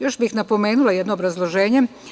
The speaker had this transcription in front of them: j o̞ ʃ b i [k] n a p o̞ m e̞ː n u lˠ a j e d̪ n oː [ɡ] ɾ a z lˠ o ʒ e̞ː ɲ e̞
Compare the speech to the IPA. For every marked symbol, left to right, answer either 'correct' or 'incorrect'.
incorrect: x, incorrect: b

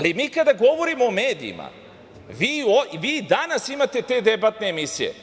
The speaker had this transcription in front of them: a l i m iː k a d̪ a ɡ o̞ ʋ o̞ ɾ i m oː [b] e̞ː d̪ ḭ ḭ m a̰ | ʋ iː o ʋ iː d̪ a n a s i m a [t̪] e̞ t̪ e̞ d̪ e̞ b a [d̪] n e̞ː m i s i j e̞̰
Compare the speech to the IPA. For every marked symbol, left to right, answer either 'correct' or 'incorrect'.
incorrect: m, correct, incorrect: t̪

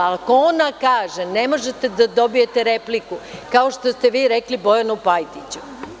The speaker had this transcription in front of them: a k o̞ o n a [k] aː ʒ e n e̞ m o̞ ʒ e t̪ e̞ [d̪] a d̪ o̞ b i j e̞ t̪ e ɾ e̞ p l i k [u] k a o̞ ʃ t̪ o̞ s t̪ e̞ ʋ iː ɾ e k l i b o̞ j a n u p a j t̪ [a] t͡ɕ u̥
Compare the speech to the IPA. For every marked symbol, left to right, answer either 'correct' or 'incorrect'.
correct, correct, correct, incorrect: i

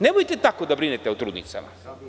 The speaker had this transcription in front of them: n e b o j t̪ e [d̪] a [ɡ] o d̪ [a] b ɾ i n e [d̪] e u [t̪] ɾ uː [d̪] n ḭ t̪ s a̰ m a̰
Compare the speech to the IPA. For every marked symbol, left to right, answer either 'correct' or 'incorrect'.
incorrect: t̪, incorrect: k, correct, incorrect: t̪, correct, correct

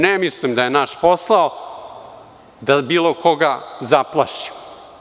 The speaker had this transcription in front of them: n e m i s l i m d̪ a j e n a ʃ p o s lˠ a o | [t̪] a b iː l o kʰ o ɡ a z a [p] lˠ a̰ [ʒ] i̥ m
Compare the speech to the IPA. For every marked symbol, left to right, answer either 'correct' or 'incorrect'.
incorrect: d̪, correct, incorrect: ʃ

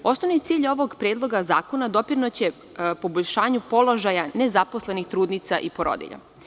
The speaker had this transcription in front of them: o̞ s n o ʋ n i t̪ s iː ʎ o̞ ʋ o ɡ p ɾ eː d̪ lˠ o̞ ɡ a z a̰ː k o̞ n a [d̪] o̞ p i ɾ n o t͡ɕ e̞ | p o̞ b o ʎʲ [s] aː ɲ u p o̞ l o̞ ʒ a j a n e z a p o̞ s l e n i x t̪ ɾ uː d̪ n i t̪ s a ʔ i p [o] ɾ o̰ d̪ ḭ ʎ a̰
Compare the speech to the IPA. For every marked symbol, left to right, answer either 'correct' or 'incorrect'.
correct, incorrect: ʃ, correct

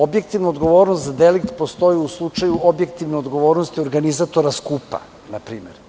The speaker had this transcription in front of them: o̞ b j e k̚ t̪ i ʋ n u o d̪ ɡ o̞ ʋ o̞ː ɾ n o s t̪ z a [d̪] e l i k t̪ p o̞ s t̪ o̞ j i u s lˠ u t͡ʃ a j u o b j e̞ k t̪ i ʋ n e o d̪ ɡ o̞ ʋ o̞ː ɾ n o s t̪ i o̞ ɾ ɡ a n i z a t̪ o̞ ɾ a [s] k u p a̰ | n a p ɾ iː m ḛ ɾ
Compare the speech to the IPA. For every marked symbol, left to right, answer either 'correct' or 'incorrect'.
correct, correct

